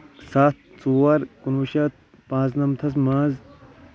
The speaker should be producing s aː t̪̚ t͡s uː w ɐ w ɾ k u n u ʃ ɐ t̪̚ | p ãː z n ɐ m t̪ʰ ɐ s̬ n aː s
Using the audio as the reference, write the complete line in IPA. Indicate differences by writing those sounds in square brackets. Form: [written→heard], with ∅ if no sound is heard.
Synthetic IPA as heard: s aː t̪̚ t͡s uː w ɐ [w→∅] ɾ k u n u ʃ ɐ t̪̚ | p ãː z n ɐ m t̪ʰ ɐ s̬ [n→m] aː [s→z]